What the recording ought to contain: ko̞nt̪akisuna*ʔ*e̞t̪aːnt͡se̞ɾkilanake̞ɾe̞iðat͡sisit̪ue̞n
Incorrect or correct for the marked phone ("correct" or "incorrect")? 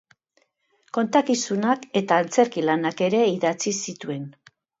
incorrect